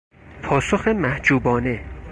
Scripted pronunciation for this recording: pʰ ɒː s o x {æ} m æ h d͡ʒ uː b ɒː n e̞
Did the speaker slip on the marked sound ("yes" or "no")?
yes